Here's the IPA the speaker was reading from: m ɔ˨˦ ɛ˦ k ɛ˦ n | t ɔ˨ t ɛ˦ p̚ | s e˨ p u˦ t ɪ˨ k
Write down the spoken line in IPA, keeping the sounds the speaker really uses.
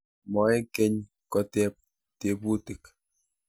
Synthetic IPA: m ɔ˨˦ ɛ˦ k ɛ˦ ɲ | k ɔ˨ t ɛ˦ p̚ | t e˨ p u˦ t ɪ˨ k